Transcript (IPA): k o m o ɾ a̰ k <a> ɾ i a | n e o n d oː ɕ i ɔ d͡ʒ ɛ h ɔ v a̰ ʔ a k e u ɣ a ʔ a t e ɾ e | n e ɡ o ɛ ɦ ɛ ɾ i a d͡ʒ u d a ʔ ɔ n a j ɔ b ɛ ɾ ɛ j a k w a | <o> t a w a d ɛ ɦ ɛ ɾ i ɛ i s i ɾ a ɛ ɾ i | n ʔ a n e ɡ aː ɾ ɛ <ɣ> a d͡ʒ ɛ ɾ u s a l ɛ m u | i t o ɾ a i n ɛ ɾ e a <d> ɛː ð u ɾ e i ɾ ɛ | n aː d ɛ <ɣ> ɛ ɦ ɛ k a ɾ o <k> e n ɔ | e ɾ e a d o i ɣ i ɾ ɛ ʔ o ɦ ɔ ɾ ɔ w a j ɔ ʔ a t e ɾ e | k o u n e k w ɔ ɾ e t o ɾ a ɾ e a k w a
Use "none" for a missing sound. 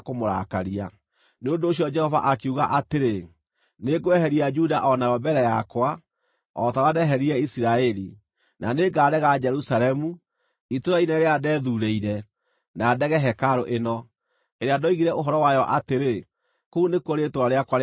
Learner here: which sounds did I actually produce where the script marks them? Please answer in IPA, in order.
a, ɔ, ɣ, d, ɣ, ʔ

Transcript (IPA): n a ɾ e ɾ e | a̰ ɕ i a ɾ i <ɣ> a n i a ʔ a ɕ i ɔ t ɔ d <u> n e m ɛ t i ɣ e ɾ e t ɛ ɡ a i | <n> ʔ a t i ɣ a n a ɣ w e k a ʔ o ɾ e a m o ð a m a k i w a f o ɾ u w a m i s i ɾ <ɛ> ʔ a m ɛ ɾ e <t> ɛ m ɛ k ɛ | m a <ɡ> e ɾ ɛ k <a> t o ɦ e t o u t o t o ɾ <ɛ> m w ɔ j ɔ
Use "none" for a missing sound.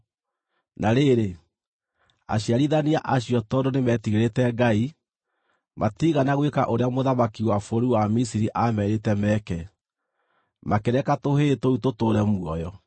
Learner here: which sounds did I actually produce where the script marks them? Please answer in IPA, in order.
ð, o, m, i, t, k, a, ɛ

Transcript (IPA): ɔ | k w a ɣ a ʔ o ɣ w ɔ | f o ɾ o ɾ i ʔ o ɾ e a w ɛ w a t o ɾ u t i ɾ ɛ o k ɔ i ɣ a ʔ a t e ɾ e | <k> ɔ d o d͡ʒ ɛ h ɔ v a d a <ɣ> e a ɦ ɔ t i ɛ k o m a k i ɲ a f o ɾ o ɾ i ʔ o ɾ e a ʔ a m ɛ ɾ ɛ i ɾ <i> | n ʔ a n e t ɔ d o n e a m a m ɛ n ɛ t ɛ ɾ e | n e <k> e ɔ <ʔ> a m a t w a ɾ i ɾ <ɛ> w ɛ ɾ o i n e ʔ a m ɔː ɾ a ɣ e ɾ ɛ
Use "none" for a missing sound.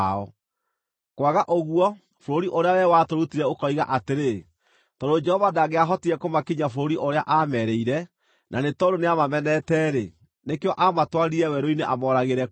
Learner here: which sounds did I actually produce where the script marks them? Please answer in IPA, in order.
t, ɣ, ɛ, k, ʔ, ɛ

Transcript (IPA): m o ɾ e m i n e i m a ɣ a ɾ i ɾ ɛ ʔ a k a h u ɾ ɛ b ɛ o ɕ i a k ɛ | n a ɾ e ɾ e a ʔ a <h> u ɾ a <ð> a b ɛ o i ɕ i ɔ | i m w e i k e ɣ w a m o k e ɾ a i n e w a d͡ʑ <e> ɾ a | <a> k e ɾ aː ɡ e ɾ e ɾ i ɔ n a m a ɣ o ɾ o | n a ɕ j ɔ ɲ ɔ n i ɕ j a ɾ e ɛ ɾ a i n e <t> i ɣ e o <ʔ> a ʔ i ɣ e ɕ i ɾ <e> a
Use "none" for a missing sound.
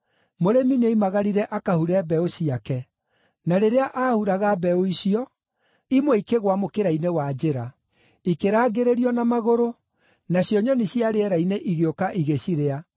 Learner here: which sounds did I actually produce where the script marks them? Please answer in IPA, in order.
h, ɣ, e, i, ʔ, k, e

